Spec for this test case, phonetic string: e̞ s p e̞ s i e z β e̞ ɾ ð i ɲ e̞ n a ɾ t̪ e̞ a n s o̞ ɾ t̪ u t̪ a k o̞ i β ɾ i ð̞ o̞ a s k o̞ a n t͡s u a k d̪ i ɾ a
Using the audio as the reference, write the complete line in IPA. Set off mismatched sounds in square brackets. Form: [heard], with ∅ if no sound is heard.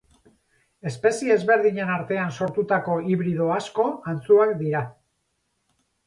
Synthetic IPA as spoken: e̞ s p e̞ s i e z β e̞ ɾ ð i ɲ e̞ n a ɾ t̪ e̞ a n s o̞ ɾ t̪ u t̪ a k o̞ i β ɾ i ð̞ o̞ a s k o̞ a n t͡s u a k d̪ i ɾ a